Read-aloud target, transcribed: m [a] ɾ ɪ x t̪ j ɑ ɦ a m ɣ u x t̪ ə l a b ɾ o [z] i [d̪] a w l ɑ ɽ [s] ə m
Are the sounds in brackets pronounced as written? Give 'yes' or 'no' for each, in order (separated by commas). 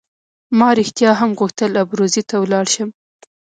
no, yes, no, no